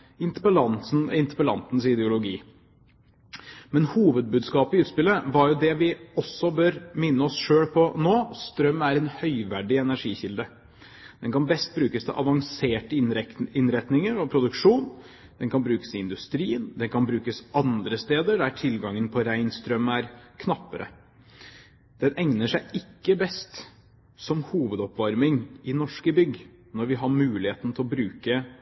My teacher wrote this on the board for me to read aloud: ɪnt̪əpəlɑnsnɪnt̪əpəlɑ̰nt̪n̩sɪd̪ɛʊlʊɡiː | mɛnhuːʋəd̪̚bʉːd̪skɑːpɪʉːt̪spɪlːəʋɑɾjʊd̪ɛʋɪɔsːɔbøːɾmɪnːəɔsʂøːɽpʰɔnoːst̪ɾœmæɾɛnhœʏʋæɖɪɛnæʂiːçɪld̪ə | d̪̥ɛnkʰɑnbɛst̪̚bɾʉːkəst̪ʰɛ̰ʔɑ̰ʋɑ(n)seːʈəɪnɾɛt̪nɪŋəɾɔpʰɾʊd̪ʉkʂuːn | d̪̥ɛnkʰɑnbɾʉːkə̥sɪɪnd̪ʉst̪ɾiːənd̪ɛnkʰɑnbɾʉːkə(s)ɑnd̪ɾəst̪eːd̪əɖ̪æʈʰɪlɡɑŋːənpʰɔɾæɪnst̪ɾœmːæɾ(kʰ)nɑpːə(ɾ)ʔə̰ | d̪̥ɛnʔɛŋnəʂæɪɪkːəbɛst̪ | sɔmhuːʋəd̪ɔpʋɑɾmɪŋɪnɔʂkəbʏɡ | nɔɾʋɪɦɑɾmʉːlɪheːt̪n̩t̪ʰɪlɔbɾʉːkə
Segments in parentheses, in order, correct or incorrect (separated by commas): incorrect, correct, correct, correct